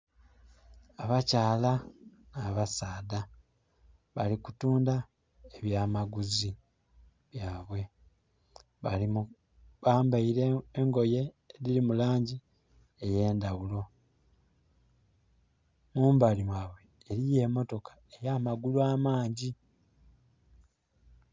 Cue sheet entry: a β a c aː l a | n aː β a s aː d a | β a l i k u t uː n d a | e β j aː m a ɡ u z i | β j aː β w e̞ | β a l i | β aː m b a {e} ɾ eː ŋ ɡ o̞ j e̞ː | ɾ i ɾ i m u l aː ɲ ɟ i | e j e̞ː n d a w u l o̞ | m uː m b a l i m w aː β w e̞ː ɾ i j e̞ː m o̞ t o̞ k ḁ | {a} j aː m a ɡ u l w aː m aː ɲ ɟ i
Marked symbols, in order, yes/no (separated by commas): no, no